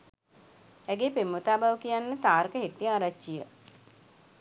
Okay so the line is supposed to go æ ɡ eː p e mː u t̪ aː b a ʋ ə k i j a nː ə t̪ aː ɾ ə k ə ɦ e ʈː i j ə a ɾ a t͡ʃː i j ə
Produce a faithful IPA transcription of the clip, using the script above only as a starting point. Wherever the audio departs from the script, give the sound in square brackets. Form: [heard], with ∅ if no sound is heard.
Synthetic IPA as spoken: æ ɡ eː p e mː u t̪ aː b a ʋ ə k i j a nː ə t̪ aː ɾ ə k ə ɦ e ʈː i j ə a ɾ a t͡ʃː i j ə

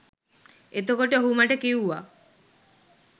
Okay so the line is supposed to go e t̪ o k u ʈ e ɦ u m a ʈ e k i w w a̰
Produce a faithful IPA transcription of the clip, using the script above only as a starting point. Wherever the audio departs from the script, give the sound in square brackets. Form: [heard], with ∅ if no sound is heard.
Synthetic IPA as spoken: e t̪ o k [o] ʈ e ɦ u m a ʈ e k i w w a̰

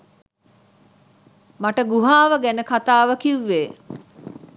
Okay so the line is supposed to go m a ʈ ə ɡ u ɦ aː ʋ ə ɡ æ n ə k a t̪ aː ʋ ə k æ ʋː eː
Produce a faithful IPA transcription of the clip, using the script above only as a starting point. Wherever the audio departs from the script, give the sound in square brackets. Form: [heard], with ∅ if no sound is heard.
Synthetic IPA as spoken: m a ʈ ə ɡ u ɦ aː ʋ ə ɡ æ n ə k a t̪ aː ʋ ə k [i] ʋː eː

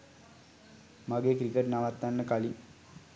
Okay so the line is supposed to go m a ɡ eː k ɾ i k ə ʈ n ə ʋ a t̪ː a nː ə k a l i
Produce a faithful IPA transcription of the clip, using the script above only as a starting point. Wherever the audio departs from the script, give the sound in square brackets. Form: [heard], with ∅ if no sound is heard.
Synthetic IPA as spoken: m a ɡ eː k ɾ i k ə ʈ n [a] ʋ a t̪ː a nː ə k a l i

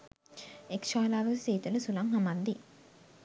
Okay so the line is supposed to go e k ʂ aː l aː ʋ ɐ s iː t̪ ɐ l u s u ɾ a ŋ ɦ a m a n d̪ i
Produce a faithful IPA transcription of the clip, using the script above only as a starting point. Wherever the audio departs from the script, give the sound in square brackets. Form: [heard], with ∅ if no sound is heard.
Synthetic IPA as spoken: e k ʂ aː l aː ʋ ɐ s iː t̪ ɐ l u s u [l] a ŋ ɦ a m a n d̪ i

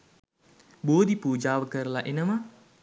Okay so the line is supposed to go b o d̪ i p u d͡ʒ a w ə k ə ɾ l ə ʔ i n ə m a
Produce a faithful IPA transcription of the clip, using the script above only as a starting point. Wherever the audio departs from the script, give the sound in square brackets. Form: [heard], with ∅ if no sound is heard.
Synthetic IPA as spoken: b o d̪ i p u d͡ʒ a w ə k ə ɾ l [a] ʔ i n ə m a

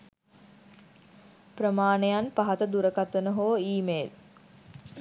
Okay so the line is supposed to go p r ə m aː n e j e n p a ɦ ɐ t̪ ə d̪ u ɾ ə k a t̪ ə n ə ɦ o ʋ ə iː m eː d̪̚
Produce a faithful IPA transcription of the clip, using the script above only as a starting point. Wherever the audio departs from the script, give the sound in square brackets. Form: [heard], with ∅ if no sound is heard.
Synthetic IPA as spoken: p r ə m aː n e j [a] n p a ɦ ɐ t̪ ə d̪ u ɾ ə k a t̪ ə n ə ɦ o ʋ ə iː m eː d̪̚

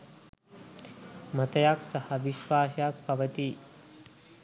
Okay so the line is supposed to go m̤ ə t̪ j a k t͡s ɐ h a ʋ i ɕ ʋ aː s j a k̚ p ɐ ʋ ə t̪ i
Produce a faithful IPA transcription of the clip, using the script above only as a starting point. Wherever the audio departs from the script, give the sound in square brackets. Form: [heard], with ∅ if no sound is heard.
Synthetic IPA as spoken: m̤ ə t̪ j a k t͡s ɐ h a ʋ i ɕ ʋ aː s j a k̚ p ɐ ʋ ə t̪ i

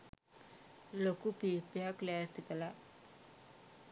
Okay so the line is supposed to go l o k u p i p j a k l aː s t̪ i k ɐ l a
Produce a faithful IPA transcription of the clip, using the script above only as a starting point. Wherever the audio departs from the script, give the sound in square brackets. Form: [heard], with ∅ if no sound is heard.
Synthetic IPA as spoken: l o k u p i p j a k l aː s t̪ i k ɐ l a

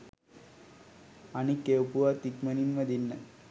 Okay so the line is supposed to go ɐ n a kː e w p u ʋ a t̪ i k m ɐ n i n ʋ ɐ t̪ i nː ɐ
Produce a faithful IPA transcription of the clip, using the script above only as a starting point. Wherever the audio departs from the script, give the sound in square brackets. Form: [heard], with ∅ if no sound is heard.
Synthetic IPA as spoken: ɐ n [i] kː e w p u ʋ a t̪ i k m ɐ n i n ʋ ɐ [d̪] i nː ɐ

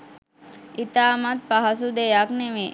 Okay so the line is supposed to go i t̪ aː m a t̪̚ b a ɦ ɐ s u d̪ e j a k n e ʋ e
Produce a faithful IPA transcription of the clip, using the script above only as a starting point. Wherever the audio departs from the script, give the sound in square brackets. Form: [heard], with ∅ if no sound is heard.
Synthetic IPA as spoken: i t̪ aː m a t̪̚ [p] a ɦ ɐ s u d̪ e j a k n e ʋ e

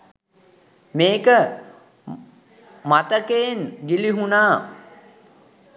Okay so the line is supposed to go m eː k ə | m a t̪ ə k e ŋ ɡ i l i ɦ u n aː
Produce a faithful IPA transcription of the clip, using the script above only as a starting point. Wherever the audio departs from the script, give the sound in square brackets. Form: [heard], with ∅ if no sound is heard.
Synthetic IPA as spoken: m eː k ə | m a t̪ ə k e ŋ ɡ i l i ɦ u n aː

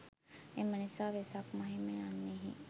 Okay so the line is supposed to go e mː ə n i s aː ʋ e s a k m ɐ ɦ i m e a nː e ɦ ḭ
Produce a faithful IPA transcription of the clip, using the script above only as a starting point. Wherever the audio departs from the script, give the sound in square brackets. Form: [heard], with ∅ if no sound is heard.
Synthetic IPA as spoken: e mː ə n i s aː ʋ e s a k m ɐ ɦ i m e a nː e ɦ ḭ

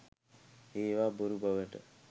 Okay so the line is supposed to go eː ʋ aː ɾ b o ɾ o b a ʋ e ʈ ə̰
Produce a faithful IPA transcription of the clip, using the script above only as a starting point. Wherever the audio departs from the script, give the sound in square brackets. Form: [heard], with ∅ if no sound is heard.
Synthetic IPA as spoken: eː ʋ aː [∅] b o ɾ [u] b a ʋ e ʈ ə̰

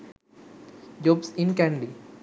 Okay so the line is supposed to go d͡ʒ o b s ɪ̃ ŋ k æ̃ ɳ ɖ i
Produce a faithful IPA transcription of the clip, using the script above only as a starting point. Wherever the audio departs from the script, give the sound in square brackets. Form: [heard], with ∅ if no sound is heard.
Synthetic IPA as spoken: d͡ʒ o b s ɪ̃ [n] k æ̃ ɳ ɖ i

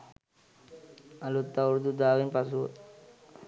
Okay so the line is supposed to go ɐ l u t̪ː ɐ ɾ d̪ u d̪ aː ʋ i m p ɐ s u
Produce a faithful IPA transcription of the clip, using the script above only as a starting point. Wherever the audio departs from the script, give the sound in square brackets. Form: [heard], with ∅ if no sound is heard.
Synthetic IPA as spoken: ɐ l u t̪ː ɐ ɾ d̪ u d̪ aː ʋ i [n] p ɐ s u

